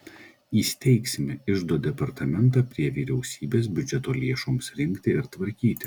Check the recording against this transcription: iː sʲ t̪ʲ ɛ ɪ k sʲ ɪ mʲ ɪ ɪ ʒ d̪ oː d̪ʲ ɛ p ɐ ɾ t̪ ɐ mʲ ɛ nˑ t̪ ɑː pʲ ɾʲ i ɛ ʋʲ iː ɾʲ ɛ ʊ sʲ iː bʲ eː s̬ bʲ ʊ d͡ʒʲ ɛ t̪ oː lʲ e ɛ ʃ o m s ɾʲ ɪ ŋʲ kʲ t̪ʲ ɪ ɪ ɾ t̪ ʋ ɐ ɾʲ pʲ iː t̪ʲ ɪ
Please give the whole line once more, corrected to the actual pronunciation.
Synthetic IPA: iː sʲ t̪ʲ ɛ ɪ k sʲ ɪ mʲ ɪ ɪ ʒ d̪ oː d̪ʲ ɛ p ɐ ɾ t̪ ɐ mʲ ɛ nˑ t̪ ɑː pʲ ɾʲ i ɛ ʋʲ iː ɾʲ ɛ ʊ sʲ iː bʲ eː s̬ bʲ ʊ d͡ʒʲ ɛ t̪ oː lʲ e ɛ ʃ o m s ɾʲ ɪ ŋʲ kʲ t̪ʲ ɪ ɪ ɾ t̪ ʋ ɐ ɾʲ kʲ iː t̪ʲ ɪ